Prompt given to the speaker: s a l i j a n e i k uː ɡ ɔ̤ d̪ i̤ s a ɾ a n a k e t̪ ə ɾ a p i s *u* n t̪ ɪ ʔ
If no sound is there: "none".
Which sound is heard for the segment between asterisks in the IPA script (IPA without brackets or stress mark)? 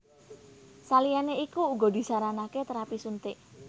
u